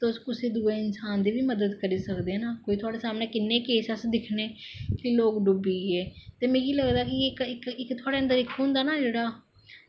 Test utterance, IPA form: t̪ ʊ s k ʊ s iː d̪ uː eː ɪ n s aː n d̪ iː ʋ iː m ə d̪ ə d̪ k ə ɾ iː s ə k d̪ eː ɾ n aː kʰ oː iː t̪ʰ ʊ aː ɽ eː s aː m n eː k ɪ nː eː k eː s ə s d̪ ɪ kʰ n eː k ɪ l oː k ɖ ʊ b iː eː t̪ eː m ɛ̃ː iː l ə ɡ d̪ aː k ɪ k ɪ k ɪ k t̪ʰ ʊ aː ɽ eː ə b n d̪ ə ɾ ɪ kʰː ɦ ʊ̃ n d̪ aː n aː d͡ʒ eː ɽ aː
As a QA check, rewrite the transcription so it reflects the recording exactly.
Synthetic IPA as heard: t̪ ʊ s k ʊ s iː d̪ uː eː ɪ n s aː n d̪ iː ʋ iː m ə d̪ ə d̪ k ə ɾ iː s ə k d̪ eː n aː k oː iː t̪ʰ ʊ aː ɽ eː s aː m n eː k ɪ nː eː k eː s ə s d̪ ɪ kʰ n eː k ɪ l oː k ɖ ʊ b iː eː t̪ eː m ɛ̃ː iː l ə ɡ d̪ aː k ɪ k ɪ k ɪ k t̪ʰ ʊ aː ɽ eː ə n d̪ ə ɾ ɪ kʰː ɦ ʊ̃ n d̪ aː n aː d͡ʒ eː ɽ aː